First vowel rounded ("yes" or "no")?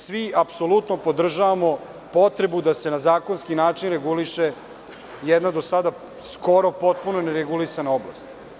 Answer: no